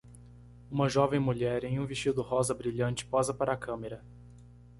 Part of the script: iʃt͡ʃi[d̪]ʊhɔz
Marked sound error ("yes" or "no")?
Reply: no